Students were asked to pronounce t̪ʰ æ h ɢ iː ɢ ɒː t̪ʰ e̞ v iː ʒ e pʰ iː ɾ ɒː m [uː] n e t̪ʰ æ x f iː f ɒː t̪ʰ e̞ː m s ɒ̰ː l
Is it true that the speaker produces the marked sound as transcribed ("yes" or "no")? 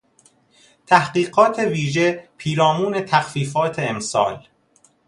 yes